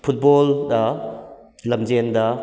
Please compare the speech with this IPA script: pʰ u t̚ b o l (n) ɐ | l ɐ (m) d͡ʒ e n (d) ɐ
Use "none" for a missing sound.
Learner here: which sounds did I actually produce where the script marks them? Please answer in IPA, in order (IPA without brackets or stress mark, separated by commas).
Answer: d, m, d